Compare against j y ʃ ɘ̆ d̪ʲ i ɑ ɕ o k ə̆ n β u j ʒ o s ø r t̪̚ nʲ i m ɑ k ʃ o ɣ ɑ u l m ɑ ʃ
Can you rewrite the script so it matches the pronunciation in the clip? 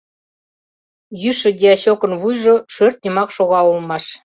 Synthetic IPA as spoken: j y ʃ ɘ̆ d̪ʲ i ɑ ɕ o k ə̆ n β u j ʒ o ʃ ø r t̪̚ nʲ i m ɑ k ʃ o ɣ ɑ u l m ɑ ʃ